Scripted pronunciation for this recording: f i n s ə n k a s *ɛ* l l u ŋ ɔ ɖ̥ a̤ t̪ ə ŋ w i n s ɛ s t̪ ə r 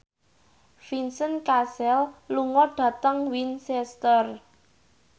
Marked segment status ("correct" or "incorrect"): correct